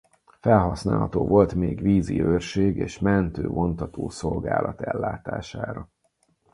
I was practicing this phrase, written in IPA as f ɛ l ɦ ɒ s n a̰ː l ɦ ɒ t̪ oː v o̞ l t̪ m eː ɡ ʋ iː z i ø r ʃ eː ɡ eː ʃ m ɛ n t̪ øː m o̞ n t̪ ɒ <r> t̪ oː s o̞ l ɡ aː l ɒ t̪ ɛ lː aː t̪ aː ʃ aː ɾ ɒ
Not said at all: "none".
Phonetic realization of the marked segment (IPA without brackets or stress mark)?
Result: none